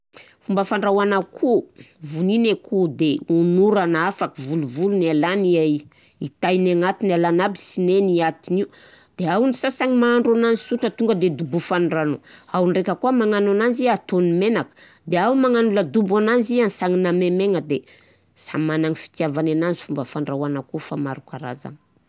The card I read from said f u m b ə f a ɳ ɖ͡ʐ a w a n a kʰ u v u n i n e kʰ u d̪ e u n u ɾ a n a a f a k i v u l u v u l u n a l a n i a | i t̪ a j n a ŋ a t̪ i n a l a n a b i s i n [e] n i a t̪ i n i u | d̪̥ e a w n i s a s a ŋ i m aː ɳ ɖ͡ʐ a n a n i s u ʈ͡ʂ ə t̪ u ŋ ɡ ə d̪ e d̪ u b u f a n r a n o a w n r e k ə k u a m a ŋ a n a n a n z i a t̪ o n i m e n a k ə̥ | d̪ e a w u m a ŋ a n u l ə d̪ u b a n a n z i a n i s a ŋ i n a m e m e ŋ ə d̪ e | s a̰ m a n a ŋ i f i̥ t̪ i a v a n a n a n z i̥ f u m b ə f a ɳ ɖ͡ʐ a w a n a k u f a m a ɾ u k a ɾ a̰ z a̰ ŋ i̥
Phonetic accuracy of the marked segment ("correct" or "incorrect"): correct